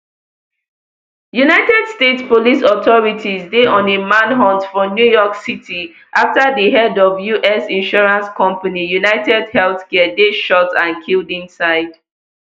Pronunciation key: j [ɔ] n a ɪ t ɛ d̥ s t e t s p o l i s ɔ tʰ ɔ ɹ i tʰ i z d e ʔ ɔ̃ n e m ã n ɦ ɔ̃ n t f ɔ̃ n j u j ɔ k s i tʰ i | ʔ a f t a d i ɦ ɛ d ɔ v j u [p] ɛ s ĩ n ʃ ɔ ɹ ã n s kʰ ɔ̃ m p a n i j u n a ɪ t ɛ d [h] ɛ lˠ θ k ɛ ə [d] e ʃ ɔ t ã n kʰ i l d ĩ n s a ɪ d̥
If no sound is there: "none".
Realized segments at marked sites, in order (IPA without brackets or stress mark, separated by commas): u, ʔ, h, d